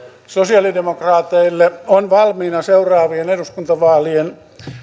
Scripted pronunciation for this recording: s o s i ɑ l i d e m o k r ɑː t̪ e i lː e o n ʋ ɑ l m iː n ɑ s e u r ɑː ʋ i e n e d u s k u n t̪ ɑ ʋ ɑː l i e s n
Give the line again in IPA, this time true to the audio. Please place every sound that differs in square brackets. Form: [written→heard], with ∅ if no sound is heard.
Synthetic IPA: s o s i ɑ l i d e m o k r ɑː t̪ e i lː e o n ʋ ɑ l m iː n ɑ s e u r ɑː ʋ i e n e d u s k u n t̪ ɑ ʋ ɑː l i e [s→∅] n